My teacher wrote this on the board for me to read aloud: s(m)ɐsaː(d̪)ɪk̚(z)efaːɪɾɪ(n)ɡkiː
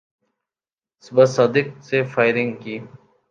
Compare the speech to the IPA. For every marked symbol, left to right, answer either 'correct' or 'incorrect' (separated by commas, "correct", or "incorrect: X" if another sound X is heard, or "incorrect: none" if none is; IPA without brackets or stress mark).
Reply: incorrect: b, correct, incorrect: s, incorrect: ŋ